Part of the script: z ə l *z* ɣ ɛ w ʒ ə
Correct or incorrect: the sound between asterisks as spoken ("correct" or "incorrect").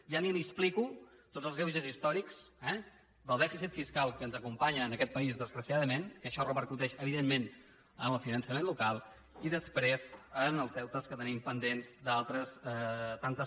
correct